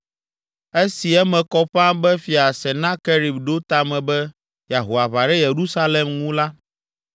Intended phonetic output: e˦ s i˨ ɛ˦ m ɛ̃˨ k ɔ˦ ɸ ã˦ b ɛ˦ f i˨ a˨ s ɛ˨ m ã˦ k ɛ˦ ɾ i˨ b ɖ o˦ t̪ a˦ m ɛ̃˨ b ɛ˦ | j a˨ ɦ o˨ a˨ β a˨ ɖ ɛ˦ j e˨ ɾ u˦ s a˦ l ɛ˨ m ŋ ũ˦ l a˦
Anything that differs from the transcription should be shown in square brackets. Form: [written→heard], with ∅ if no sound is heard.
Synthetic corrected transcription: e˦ s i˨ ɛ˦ m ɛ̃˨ k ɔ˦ ɸ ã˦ b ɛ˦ f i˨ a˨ s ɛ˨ [m→n] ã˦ k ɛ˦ ɾ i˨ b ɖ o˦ t̪ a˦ m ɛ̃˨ b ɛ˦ | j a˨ ɦ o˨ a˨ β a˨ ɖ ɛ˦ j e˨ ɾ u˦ s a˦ l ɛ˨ m ŋ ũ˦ l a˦